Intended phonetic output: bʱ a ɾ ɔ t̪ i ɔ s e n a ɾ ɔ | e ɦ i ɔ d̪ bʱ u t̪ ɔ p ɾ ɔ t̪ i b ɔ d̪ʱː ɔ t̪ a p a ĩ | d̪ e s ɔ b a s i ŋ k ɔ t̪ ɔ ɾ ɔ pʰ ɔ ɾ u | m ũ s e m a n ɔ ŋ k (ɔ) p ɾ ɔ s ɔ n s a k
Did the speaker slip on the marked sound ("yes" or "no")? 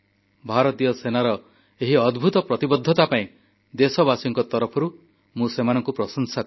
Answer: yes